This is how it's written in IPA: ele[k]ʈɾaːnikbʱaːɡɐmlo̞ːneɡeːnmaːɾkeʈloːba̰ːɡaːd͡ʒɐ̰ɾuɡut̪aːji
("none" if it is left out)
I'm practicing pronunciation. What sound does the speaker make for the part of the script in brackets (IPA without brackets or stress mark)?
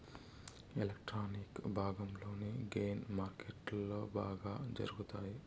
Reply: k